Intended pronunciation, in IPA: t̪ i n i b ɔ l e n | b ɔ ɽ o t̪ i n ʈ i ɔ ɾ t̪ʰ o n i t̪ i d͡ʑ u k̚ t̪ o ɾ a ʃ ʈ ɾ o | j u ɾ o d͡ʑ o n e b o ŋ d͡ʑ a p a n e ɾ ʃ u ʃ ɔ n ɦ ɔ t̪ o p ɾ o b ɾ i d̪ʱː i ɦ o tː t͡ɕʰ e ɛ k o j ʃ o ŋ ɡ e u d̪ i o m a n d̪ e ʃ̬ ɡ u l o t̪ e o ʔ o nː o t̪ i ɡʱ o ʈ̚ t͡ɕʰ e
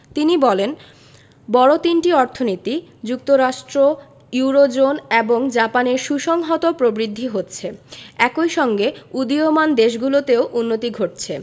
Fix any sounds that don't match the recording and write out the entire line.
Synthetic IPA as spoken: t̪ i n i b ɔ l e n | b ɔ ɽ o t̪ i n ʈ i ɔ ɾ t̪ʰ o n i t̪ i d͡ʑ u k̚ t̪ o ɾ a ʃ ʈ ɾ o | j u ɾ o d͡ʑ o n e b o ŋ d͡ʑ a p a n e ɾ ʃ u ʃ ɔ ŋ ɦ ɔ t̪ o p ɾ o b ɾ i d̪ʱː i ɦ o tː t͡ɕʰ e ɛ k o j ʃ ɔ ŋ ɡ e u d̪ i o m a n d̪ e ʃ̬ ɡ u l o t̪ e o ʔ u nː o t̪ i ɡʱ o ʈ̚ t͡ɕʰ e